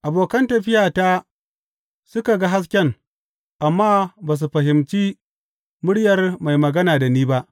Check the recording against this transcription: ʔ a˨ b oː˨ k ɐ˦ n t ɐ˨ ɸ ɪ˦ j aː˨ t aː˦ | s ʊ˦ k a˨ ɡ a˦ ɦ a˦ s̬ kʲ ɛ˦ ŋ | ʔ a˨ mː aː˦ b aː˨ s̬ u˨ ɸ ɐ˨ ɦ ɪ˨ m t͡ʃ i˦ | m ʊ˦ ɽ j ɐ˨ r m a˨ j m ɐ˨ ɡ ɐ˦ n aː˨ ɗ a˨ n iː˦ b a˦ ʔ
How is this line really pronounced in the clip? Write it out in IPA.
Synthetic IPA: ʔ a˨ b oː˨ k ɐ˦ n t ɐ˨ ɸ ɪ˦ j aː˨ t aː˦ | s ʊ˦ k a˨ ɡ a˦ ɦ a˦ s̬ kʲ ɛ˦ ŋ | ʔ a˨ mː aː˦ b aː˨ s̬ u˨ ɸ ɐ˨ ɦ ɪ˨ m t͡ʃ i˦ | m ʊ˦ ɽ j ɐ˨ r m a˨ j m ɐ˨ ɡ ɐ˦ n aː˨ d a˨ n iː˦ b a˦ ʔ